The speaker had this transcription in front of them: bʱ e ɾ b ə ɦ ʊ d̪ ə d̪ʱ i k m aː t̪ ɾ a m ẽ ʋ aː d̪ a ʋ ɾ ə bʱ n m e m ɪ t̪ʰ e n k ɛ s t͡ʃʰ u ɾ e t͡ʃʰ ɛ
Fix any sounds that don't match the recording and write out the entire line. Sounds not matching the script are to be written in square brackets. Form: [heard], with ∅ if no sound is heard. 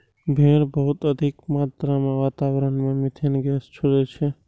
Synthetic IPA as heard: bʱ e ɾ b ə ɦ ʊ [t̪] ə d̪ʱ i k m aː t̪ ɾ a m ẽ ʋ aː [t̪] a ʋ ɾ ə [∅] n m e m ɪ t̪ʰ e n [ɡ] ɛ s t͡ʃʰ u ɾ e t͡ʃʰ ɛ